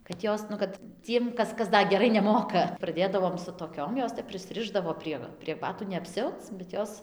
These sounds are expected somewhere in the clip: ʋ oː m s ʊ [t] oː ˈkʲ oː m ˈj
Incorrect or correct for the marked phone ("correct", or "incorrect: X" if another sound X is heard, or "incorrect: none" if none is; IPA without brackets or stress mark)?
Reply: correct